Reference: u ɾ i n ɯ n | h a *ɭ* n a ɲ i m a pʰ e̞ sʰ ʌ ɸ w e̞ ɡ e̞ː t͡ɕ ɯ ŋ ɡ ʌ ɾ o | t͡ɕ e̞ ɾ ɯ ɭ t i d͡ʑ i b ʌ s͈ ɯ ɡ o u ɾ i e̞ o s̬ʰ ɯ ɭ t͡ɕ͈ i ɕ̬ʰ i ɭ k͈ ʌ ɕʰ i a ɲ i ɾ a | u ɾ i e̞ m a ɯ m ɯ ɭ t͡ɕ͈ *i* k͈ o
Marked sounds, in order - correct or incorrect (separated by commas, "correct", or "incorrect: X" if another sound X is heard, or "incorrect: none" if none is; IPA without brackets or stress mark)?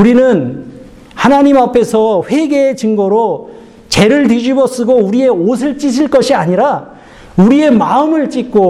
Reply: incorrect: none, correct